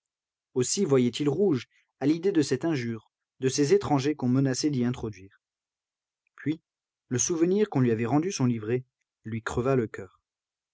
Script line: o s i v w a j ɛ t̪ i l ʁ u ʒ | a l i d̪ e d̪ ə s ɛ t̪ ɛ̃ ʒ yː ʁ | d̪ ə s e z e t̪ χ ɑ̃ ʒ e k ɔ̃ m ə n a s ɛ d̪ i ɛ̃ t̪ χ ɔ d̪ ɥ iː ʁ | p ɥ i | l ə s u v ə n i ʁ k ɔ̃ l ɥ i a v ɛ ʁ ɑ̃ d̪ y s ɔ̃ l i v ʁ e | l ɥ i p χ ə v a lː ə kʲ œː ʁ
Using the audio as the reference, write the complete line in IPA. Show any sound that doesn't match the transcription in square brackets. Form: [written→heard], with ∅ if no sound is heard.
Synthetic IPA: o s i v w a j ɛ t̪ i l ʁ u ʒ | a l i d̪ e d̪ ə s ɛ t̪ ɛ̃ ʒ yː ʁ | d̪ ə s e z e t̪ χ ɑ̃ ʒ e k ɔ̃ m ə n a s ɛ d̪ i ɛ̃ t̪ χ ɔ d̪ ɥ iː ʁ | p ɥ i | l ə s u v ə n i ʁ k ɔ̃ l ɥ i a v ɛ ʁ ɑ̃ d̪ y s ɔ̃ l i v ʁ e | l ɥ i [p→k] χ ə v a [lː→l] ə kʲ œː ʁ